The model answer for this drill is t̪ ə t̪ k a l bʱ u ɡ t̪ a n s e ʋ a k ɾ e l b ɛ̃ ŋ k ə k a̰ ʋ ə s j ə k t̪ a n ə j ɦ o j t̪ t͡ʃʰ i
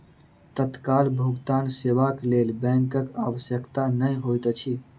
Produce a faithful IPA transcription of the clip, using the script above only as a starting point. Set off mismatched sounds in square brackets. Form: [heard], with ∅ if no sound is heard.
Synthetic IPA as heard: t̪ ə t̪ k a l bʱ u ɡ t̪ a n s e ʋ a k [l] e l b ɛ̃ ŋ k ə k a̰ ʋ ə s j ə k t̪ a n ə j ɦ o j t̪ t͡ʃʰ i